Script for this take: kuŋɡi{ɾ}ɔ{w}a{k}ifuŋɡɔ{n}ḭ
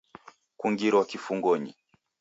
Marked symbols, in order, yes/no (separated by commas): yes, yes, yes, no